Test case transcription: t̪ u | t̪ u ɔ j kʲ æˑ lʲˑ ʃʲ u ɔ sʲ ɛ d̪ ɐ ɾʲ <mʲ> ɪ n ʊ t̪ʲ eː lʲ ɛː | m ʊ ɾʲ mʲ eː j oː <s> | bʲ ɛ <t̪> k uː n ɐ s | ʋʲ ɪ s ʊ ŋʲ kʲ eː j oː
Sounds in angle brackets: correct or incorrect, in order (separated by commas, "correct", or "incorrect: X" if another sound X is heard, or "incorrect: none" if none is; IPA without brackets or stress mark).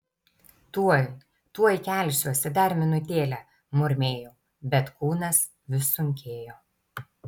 correct, incorrect: none, correct